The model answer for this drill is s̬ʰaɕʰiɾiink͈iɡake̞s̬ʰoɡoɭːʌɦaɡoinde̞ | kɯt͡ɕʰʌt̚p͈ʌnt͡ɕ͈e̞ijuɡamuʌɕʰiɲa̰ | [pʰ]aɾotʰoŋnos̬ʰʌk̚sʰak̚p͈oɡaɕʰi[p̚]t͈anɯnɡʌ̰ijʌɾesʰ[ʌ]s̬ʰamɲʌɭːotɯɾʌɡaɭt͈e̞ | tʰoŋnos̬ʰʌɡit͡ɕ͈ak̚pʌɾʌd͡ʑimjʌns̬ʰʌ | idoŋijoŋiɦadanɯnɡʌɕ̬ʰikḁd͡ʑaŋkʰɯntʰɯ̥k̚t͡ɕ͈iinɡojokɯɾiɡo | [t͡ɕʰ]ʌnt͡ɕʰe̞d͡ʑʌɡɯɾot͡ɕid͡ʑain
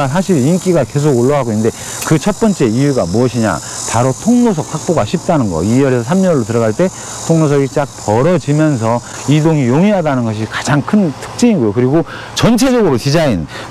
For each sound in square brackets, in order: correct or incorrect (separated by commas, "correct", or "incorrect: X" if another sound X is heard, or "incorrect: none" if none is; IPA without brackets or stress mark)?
incorrect: p, correct, correct, incorrect: t͡ɕ